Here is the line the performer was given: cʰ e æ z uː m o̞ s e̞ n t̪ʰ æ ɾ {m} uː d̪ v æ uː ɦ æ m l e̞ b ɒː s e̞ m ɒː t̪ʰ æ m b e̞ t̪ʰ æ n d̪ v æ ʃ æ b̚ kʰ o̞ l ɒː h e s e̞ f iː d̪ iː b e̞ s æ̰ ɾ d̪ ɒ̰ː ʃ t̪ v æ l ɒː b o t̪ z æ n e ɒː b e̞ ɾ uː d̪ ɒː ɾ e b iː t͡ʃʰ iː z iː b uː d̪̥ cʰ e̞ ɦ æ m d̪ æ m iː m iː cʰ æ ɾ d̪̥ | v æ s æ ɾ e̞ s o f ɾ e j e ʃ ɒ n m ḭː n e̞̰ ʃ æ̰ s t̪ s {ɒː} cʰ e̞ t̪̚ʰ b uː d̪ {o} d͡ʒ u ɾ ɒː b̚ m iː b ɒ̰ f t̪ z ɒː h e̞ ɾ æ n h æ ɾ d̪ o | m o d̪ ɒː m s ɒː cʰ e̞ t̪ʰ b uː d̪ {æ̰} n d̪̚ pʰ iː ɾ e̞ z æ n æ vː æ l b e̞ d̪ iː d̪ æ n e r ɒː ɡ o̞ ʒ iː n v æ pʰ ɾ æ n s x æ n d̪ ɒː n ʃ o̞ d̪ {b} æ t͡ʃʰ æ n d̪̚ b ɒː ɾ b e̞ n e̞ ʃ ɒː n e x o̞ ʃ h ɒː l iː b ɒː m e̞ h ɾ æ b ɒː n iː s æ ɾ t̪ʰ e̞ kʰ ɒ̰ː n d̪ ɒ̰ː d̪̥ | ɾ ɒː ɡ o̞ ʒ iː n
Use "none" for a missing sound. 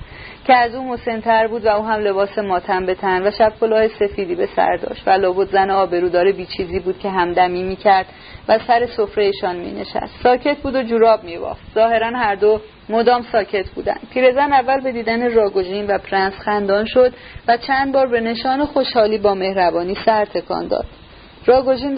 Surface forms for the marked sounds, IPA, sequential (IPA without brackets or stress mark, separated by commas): b, ɒː, o, æ̰, v